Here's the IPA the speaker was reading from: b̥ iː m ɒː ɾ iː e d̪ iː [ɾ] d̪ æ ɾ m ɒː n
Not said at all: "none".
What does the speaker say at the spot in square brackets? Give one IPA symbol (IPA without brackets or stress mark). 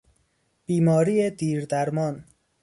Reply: ɾ